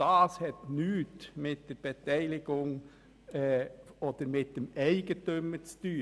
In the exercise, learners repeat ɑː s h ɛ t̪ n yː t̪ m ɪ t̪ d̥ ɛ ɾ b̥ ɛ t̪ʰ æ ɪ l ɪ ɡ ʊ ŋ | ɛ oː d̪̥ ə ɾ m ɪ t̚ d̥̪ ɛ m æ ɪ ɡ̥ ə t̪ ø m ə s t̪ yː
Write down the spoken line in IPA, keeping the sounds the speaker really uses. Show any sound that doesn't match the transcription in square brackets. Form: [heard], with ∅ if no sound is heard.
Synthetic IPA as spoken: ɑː s h ɛ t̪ n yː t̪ m ɪ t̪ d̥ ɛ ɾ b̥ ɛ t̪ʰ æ ɪ l ɪ ɡ ʊ ŋ | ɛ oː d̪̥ ə ɾ m ɪ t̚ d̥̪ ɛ m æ ɪ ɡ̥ ə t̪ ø m ə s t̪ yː